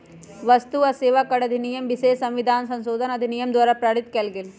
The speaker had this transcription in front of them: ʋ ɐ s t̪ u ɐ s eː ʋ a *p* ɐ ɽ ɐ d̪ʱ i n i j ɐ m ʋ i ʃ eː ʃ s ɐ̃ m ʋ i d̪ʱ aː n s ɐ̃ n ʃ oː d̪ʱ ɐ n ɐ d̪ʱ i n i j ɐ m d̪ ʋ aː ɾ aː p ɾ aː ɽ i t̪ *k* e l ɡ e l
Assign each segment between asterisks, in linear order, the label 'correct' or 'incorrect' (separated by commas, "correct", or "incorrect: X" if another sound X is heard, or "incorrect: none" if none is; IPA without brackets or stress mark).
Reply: incorrect: k, correct